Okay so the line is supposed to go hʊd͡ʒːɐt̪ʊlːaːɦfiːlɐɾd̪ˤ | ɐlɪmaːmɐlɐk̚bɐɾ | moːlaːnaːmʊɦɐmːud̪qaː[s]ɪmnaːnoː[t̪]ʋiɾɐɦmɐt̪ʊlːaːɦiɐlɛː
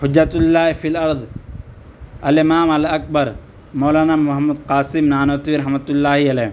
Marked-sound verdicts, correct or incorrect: correct, correct

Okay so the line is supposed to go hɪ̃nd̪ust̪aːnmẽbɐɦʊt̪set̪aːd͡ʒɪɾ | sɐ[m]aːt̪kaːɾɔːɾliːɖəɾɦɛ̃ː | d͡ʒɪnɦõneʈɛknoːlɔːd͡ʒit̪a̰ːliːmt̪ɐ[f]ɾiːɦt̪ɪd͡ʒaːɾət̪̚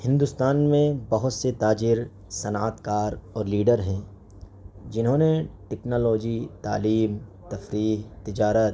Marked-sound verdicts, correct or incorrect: incorrect, correct

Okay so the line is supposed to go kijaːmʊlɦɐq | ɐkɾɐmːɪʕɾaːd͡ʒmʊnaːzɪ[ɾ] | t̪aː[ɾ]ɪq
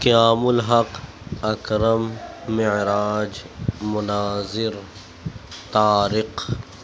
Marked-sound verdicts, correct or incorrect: correct, correct

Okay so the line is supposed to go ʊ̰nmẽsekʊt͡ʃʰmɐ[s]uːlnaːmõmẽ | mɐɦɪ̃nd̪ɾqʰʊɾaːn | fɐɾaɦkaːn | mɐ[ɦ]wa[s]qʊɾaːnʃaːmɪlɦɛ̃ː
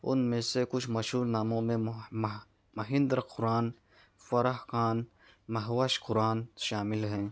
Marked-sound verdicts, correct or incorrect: incorrect, correct, incorrect

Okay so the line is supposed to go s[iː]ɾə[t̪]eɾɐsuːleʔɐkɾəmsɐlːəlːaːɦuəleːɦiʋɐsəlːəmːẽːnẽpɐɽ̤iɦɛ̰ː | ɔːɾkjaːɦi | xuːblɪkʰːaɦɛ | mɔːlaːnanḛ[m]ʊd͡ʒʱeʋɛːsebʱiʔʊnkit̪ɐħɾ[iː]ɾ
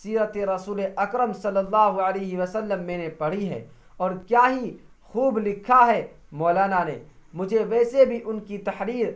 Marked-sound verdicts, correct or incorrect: correct, correct, correct, correct

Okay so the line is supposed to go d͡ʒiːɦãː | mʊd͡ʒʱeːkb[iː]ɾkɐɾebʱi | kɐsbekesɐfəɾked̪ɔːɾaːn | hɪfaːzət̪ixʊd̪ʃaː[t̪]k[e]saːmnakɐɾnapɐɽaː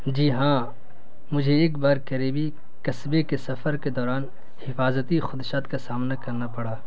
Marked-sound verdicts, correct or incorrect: incorrect, correct, incorrect

